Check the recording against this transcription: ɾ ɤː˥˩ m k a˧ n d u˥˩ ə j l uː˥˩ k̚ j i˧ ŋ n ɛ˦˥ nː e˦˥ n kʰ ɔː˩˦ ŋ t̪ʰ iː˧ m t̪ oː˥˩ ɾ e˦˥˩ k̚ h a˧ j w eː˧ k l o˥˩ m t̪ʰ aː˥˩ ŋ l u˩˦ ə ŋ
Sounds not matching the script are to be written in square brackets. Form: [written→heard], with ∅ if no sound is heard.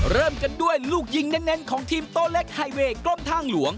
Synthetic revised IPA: ɾ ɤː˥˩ m k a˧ n d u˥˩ ə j l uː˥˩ k̚ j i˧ ŋ n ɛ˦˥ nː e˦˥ n kʰ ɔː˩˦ ŋ t̪ʰ iː˧ m t̪ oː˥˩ [ɾ→l] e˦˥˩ k̚ h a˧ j w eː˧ k l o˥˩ m t̪ʰ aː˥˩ ŋ l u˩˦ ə ŋ